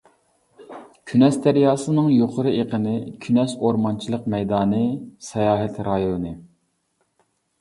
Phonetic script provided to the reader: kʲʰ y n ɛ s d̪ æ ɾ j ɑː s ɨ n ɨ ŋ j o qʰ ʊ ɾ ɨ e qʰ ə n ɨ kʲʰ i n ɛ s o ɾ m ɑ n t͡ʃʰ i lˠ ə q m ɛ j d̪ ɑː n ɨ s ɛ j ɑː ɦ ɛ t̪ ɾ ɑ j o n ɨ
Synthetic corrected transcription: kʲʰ y n ɛ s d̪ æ ɾ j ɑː s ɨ n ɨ ŋ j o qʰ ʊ ɾ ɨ e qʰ ə n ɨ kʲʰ y n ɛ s o ɾ m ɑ n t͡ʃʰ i lˠ ə q m ɛ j d̪ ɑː n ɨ s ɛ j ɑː ɦ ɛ t̪ ɾ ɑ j o n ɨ